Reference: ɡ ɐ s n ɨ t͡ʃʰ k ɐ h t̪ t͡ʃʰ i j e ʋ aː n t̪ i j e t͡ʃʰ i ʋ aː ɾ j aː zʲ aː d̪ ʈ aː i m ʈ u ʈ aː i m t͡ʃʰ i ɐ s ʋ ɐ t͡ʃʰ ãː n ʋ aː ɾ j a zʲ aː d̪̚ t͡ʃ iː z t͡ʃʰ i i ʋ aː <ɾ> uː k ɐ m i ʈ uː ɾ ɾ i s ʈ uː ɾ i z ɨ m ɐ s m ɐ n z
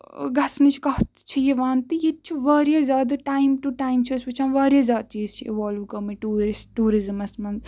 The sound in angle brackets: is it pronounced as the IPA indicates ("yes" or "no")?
no